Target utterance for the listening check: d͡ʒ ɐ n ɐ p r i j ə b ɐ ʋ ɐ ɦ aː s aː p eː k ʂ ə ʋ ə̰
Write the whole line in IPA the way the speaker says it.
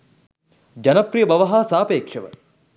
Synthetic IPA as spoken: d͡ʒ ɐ n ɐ p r i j ə b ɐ ʋ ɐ ɦ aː s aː p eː k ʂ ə ʋ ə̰